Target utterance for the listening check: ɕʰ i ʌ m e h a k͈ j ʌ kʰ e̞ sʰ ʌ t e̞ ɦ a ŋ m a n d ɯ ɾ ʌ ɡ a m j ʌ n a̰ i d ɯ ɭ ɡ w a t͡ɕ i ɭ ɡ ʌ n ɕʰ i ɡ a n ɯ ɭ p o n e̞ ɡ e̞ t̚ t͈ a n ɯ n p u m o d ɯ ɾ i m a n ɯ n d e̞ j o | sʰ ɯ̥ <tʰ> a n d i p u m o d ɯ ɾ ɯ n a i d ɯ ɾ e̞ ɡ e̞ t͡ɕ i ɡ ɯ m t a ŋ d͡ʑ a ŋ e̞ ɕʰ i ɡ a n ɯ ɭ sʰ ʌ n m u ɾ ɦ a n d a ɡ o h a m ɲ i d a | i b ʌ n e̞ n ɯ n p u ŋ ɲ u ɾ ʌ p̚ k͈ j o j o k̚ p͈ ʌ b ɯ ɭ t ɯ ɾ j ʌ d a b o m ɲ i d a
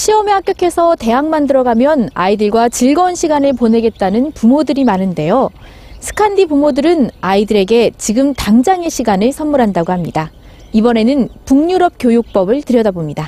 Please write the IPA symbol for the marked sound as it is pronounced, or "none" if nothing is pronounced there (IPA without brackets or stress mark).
kʰ